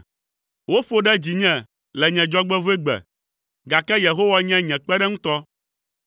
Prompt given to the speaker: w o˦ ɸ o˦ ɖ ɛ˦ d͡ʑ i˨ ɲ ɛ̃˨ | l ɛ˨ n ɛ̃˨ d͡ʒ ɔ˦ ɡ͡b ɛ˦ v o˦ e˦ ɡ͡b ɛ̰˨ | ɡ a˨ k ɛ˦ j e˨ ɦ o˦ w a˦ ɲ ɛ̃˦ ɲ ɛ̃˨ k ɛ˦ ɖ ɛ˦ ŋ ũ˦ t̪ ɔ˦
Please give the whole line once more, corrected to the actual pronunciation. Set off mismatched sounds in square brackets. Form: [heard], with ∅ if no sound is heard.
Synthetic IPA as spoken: w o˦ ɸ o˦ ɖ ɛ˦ d͡ʑ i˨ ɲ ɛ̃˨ | l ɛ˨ [ɲ] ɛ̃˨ d͡ʒ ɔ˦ ɡ͡b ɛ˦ v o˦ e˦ ɡ͡b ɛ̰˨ | ɡ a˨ k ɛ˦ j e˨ ɦ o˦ w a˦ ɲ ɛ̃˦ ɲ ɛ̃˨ [k͡p] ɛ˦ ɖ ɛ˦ ŋ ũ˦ t̪ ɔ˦